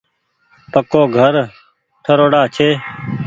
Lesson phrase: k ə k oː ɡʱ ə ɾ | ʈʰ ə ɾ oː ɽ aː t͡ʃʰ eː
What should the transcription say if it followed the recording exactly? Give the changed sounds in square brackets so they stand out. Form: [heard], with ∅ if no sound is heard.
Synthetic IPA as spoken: [p] ə k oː ɡʱ ə ɾ | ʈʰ ə ɾ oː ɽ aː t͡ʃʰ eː